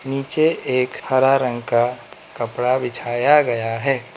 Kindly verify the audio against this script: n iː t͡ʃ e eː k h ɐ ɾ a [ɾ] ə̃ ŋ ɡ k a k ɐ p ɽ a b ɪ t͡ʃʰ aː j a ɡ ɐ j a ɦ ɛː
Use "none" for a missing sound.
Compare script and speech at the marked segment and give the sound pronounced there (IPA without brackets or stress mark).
ɾ